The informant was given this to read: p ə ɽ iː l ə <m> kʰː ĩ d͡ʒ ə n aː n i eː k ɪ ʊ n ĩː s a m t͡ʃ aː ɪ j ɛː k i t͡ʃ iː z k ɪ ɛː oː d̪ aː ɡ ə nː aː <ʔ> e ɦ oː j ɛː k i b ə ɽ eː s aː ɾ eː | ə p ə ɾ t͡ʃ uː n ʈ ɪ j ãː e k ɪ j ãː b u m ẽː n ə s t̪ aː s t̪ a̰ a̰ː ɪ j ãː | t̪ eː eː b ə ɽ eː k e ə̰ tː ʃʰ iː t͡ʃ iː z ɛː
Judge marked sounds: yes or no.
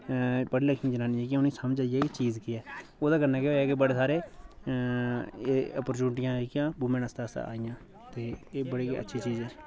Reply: no, no

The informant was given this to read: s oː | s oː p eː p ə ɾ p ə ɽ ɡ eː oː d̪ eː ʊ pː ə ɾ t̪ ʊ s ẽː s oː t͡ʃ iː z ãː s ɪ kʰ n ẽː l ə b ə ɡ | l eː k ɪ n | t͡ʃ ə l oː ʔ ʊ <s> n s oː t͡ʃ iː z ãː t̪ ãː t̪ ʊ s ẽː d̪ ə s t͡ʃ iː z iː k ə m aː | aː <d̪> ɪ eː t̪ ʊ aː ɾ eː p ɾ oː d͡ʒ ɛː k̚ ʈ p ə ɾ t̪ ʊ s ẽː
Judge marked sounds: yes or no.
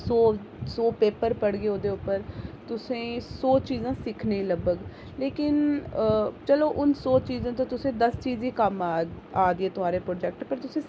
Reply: no, yes

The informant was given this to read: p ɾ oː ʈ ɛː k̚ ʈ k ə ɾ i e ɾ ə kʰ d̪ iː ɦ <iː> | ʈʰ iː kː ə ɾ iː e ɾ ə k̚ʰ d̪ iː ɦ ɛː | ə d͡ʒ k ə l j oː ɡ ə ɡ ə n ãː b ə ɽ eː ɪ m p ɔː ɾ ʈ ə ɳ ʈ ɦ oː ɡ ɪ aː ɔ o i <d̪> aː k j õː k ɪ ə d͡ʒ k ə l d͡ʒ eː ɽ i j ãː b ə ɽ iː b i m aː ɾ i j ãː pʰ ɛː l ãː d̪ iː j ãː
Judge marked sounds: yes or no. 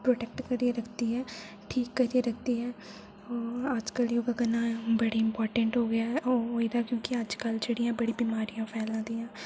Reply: no, yes

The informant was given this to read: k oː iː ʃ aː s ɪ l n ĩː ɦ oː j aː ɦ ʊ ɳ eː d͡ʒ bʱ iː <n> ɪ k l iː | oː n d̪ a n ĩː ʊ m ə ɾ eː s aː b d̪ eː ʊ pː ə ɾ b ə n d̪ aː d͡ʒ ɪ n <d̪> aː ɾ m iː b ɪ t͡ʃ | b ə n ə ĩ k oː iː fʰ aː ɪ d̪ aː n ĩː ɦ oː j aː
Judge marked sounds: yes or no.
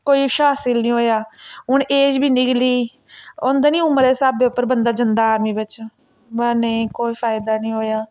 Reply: yes, yes

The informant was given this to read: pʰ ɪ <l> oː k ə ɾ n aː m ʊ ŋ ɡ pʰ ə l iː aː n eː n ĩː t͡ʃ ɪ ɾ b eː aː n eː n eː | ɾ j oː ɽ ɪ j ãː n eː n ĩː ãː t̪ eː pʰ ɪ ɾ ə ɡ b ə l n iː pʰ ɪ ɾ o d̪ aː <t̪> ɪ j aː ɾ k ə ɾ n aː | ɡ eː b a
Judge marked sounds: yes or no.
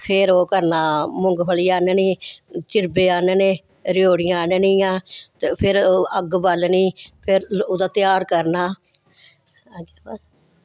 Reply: no, yes

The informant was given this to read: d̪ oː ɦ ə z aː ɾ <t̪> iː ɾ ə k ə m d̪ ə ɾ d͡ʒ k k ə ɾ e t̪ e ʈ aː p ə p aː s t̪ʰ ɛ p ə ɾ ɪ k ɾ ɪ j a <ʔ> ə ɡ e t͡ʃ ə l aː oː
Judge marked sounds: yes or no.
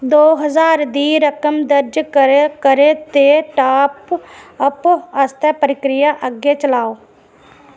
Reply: no, yes

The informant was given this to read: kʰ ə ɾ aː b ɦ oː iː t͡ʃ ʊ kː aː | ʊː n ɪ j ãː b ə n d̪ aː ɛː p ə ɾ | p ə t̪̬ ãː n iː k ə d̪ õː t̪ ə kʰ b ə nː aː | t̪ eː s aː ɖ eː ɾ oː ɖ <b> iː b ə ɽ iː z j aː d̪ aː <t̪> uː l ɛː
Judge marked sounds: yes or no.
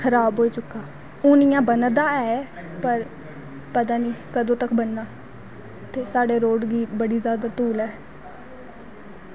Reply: no, yes

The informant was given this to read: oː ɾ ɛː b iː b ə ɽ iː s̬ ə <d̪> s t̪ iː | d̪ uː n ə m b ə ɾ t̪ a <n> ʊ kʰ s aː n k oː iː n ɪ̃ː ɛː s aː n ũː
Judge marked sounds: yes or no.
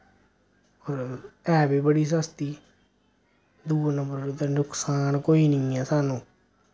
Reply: no, yes

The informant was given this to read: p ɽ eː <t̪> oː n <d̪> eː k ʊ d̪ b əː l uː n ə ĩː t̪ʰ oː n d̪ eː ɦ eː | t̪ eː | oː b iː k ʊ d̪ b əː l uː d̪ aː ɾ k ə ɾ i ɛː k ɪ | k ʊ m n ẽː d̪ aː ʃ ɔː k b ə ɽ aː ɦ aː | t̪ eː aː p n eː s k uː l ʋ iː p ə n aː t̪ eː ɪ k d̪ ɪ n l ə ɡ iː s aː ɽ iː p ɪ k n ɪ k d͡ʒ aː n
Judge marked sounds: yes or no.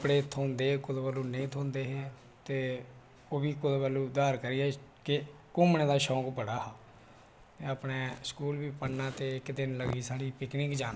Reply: no, yes

